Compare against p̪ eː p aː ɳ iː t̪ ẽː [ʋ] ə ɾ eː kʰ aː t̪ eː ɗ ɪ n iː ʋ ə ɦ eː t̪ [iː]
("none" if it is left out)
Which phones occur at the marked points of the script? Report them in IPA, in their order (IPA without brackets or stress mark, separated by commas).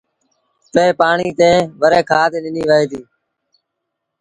ʋ, iː